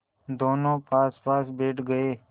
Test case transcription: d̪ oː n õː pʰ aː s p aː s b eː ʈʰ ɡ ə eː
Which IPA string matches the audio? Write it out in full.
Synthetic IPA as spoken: d̪ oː n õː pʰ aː s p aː s b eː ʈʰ ɡ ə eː